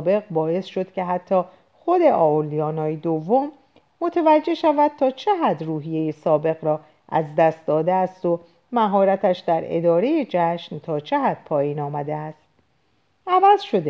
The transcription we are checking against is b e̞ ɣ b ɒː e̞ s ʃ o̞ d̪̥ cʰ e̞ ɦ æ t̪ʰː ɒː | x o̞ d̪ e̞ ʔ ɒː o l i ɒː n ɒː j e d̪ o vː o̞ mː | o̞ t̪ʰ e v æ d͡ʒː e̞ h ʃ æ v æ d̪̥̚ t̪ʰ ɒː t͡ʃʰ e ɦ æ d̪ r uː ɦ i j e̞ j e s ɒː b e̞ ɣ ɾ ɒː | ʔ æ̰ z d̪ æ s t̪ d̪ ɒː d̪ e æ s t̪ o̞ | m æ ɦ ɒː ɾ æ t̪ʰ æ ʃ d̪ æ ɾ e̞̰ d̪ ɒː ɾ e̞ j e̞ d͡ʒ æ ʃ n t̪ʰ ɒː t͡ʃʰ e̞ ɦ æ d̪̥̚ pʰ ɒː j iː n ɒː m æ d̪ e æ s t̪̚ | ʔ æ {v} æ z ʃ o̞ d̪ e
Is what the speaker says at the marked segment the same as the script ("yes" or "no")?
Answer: yes